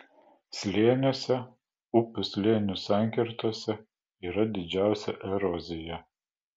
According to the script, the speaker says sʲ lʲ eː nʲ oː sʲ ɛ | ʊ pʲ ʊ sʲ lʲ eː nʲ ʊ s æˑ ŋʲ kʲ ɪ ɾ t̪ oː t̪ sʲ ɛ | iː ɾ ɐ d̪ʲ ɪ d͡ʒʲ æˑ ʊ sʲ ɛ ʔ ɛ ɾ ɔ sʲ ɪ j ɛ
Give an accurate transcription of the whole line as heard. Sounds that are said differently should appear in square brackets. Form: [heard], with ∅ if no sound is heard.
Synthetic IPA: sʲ lʲ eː nʲ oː sʲ ɛ | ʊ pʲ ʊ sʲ lʲ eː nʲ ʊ s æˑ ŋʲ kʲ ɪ ɾ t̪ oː [∅] sʲ ɛ | iː ɾ ɐ d̪ʲ ɪ d͡ʒʲ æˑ ʊ sʲ ɛ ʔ ɛ ɾ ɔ [zʲ] ɪ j ɛ